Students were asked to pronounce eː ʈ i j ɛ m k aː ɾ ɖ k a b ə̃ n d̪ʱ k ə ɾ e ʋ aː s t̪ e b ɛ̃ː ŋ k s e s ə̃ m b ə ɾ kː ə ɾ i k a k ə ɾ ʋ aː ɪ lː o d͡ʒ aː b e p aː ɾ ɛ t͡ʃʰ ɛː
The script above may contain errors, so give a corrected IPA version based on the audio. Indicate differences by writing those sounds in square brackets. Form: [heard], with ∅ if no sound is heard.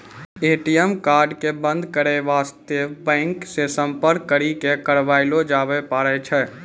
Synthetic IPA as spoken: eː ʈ i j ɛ m k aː ɾ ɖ k [e] b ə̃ n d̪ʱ k ə ɾ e ʋ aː s t̪ e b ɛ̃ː ŋ k s e s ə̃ m [p] ə ɾ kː ə ɾ i k [e] k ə ɾ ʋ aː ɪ [l] o d͡ʒ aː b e p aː ɾ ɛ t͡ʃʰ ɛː